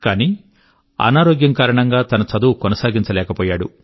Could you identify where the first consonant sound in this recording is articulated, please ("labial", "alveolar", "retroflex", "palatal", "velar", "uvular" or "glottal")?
velar